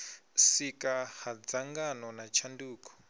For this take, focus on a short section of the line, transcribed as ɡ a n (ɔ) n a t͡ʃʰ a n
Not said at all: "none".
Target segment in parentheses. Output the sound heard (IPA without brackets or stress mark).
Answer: ɔ